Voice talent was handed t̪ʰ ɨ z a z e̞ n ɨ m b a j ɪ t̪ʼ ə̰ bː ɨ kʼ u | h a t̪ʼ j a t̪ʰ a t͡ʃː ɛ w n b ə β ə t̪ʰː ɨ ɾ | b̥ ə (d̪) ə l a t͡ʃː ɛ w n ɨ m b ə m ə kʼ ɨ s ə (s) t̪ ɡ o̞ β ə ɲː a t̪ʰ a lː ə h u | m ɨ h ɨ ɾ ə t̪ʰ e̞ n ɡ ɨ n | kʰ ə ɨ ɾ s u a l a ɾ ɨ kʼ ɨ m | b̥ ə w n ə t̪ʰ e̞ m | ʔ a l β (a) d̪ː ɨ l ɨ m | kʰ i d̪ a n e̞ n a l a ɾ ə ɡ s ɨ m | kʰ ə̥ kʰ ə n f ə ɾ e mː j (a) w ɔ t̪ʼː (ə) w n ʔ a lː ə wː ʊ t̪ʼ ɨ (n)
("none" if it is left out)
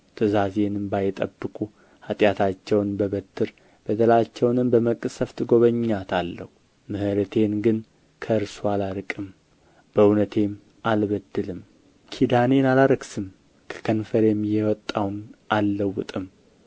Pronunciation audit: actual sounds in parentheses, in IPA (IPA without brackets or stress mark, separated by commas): d̪, f, ə, ɛ, a, m